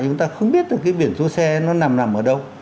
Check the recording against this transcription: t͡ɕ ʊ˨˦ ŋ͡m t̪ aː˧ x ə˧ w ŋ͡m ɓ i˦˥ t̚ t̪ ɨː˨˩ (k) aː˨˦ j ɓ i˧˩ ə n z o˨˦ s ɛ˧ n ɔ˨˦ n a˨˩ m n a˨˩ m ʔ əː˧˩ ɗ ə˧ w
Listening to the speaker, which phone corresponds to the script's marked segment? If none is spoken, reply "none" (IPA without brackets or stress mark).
k